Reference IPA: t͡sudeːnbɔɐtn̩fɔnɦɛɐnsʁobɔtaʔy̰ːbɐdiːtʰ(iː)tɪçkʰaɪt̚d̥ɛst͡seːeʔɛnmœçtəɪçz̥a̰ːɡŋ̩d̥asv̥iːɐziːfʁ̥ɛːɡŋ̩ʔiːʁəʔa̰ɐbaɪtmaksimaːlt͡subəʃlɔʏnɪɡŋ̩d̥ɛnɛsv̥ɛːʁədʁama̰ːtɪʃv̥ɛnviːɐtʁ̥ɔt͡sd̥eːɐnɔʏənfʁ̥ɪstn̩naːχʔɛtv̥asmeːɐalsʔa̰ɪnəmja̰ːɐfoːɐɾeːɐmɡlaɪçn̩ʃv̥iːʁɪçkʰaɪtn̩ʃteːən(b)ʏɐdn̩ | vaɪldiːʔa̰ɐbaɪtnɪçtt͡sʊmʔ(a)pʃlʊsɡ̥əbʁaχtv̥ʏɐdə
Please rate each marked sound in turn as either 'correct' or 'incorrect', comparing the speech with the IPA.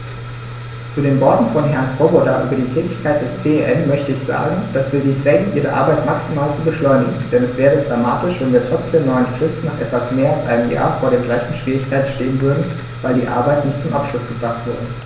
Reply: incorrect: ɛː, incorrect: v, correct

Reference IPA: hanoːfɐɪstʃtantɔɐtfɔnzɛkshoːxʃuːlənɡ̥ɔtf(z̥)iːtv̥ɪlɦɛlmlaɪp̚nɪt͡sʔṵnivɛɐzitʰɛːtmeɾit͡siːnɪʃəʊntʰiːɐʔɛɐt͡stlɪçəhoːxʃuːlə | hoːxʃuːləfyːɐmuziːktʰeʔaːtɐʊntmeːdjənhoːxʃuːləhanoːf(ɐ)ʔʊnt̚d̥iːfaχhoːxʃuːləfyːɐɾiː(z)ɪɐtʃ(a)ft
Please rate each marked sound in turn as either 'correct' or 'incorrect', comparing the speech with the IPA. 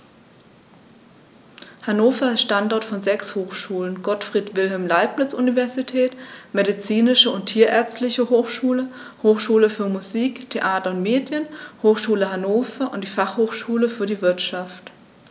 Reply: incorrect: ʁ̥, correct, incorrect: v, correct

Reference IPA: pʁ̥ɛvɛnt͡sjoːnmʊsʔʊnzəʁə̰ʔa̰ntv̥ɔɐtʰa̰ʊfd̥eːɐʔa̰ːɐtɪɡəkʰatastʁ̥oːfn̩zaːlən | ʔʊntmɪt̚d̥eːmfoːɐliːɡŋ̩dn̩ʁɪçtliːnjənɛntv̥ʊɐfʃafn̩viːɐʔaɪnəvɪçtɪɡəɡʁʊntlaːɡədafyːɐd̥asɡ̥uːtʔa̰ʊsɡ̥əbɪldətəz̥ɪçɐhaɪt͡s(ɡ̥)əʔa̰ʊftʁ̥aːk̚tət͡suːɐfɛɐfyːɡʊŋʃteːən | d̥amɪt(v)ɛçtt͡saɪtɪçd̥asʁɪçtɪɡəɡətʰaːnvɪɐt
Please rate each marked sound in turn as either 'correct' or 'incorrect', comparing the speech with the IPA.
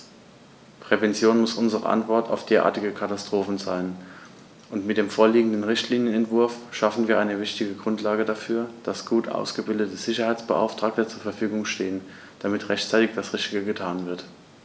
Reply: incorrect: b̥, incorrect: ʁ

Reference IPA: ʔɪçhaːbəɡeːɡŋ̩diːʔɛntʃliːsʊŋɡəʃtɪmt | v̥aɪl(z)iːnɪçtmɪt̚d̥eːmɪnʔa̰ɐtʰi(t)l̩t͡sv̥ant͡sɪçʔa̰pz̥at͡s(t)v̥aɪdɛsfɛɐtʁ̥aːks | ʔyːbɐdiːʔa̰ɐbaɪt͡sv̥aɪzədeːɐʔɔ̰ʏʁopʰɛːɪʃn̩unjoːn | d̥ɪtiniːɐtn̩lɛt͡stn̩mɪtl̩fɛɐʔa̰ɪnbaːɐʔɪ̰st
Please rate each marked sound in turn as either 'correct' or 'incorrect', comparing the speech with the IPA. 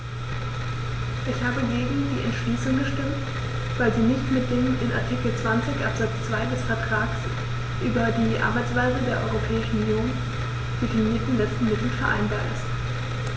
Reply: correct, incorrect: k, incorrect: t͡s

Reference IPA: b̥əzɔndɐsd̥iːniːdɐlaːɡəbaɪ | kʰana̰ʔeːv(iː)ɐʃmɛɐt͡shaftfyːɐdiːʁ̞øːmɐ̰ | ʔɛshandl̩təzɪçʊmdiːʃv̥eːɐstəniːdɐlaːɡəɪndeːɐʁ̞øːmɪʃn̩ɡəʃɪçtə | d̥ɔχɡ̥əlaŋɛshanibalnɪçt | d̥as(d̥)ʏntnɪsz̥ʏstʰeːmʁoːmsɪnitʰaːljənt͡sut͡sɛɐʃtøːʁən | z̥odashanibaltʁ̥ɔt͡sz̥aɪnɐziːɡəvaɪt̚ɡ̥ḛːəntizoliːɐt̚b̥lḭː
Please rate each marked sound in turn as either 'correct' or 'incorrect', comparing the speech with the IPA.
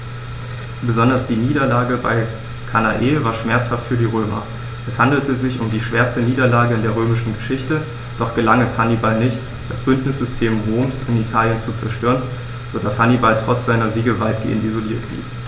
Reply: incorrect: aː, incorrect: b̥

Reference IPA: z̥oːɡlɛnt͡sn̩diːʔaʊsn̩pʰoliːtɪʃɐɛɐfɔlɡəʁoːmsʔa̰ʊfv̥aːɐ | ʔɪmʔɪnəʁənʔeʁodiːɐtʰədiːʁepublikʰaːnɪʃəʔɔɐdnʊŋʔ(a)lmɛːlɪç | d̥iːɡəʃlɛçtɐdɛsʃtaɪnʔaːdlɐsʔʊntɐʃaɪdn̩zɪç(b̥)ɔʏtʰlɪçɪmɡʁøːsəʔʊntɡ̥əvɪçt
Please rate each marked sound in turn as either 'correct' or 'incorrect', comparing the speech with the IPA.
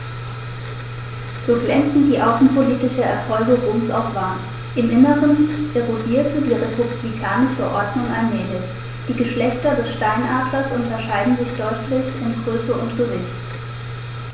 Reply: correct, incorrect: d̥

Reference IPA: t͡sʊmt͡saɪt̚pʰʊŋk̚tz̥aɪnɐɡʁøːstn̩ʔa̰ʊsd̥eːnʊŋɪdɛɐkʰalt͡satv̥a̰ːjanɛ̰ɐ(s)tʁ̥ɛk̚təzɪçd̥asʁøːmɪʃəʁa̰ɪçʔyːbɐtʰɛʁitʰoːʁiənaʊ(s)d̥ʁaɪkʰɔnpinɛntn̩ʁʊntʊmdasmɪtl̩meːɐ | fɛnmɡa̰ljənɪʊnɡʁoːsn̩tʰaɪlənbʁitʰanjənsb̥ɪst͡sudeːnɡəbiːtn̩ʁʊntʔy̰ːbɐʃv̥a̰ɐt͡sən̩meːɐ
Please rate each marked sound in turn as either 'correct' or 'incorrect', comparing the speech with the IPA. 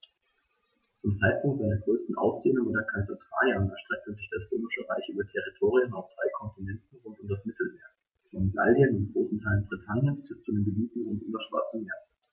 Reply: incorrect: ʃ, incorrect: f

